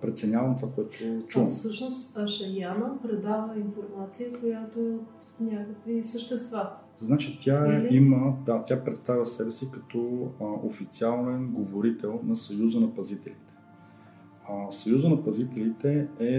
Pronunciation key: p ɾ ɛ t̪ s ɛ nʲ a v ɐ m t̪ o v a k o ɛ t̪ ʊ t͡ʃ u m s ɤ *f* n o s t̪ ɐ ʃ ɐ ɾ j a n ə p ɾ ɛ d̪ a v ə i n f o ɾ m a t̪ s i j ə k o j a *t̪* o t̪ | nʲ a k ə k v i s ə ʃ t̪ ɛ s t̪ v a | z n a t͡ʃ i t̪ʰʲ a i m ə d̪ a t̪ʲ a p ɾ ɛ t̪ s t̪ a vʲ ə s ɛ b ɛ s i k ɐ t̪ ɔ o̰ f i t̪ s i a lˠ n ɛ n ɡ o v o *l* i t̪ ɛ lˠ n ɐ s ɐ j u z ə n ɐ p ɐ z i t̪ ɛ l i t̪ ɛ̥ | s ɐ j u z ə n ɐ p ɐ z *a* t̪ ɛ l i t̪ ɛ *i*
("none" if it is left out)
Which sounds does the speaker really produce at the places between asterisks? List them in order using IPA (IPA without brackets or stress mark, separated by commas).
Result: ʃ, t̪, ɾ, i, ɛ